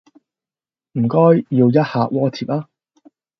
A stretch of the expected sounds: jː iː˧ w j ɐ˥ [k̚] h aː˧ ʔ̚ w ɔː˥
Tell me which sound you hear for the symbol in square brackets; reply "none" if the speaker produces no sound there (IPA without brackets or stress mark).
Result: t̚